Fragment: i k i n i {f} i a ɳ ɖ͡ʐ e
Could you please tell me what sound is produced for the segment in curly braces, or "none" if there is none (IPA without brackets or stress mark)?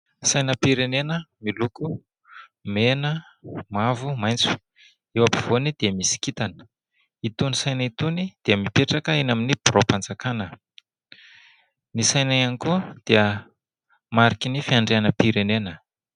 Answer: f